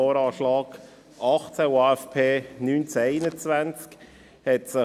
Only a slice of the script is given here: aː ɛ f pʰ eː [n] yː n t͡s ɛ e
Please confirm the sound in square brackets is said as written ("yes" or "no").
yes